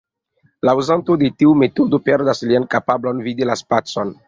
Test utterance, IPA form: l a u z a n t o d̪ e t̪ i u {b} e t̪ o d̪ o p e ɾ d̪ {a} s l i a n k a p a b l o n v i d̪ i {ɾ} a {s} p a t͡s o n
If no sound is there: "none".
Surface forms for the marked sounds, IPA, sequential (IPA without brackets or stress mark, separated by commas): m, a, l, s